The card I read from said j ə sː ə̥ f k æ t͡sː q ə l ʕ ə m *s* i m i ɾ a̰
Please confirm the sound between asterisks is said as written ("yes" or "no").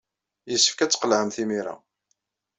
no